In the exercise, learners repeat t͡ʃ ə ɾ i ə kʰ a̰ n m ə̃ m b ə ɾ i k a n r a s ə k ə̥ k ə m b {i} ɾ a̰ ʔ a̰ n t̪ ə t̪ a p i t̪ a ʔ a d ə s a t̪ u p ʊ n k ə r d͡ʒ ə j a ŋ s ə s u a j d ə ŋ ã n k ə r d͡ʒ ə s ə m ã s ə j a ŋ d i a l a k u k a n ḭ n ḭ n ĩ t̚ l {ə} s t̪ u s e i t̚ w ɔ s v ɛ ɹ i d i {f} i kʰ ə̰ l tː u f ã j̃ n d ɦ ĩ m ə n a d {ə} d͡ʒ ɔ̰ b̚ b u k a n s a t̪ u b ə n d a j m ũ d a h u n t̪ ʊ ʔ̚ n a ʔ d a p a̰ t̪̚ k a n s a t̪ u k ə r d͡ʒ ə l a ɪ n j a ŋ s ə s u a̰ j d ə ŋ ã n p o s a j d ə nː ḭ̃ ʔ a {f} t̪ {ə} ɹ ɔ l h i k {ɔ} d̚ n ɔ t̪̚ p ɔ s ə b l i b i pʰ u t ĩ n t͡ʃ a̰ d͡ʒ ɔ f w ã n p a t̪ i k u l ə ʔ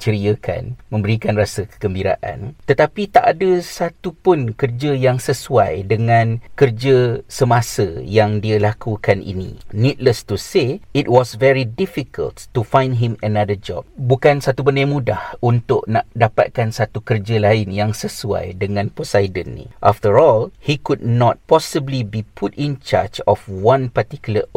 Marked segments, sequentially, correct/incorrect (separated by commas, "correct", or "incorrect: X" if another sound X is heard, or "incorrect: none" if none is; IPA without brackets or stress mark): correct, correct, correct, correct, correct, correct, incorrect: u